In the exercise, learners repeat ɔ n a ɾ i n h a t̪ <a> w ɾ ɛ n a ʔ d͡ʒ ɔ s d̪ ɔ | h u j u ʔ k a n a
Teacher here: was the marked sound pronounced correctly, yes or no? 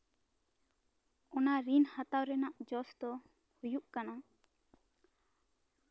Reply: yes